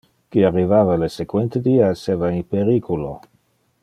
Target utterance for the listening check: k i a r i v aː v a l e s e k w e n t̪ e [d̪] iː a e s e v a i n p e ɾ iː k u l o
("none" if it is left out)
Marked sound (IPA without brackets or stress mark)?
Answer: d̪